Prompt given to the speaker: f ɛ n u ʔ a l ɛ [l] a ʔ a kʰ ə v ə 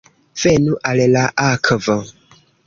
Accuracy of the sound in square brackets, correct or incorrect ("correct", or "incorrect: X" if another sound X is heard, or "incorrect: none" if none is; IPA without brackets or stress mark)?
correct